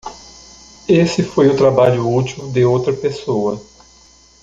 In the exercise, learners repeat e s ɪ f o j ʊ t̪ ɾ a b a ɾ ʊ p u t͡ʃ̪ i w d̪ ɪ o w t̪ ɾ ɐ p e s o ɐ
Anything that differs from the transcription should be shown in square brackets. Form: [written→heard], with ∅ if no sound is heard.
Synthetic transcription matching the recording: e s ɪ f o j ʊ t̪ ɾ a b a [ɾ→ʎ] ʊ [p→∅] u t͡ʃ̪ i w d̪ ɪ o w t̪ ɾ ɐ p e s o ɐ